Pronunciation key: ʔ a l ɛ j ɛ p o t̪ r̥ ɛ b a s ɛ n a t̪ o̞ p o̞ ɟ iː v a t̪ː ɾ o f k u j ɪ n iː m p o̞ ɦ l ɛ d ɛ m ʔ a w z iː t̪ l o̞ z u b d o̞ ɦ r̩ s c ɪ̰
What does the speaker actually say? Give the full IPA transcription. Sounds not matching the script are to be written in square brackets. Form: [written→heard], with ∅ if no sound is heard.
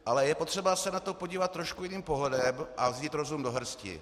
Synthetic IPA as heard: ʔ a l ɛ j ɛ p o t̪ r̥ ɛ b a s ɛ n a t̪ o̞ p o̞ ɟ iː v a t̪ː ɾ o [f→ʃ] k u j ɪ n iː m p o̞ ɦ l ɛ d ɛ m ʔ a [w→v] z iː t̪ [l→ɾ] o̞ z u [b→m] d o̞ ɦ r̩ s c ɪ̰

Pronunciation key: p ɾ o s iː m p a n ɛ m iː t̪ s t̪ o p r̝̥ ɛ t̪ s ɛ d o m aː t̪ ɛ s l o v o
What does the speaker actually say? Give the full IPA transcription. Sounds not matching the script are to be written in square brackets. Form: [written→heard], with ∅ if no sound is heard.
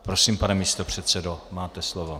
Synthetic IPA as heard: p ɾ o s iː m p a n ɛ m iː [t̪→∅] s t̪ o p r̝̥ ɛ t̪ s ɛ d o m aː t̪ ɛ s l o v o

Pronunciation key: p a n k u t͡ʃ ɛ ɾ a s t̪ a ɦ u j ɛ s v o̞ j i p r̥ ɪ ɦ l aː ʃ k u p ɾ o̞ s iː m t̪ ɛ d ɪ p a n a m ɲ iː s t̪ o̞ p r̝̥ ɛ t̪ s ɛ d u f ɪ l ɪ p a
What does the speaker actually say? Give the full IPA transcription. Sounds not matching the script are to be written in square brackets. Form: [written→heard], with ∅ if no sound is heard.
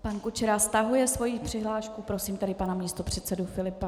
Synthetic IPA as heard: p a n k u t͡ʃ ɛ ɾ a s t̪ a ɦ u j ɛ s v o̞ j i p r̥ ɪ ɦ l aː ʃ k u p ɾ o̞ s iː m t̪ ɛ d ɪ p a n a m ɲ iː s t̪ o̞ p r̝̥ ɛ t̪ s ɛ d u f ɪ l ɪ p a

